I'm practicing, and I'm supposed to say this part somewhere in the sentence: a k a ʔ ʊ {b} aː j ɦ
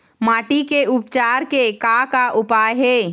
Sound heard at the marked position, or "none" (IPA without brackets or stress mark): p